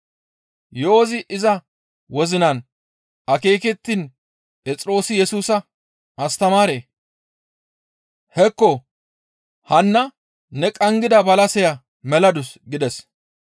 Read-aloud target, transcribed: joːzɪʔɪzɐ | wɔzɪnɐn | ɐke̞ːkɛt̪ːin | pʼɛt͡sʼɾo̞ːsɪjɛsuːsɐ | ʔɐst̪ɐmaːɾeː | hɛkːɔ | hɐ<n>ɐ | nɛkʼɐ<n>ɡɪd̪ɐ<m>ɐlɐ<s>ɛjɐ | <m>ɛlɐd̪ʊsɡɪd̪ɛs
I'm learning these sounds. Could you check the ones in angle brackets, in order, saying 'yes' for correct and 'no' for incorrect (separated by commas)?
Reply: no, no, no, yes, yes